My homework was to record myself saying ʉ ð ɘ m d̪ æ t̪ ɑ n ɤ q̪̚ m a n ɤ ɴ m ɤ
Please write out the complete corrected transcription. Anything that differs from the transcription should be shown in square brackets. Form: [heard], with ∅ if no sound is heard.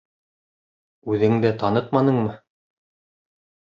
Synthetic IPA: ʉ ð ɘ [ŋ] d̪ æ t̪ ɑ n ɤ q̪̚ m [ɑ] n ɤ ɴ m ɤ